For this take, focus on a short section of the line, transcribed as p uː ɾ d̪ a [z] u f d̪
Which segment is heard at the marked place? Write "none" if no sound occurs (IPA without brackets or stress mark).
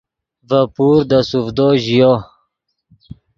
s